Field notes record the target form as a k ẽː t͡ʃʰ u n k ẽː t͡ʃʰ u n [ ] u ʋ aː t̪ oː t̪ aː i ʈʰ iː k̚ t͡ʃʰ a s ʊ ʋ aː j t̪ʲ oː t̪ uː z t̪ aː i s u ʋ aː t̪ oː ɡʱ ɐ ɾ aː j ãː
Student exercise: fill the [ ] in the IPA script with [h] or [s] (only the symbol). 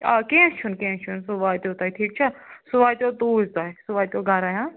s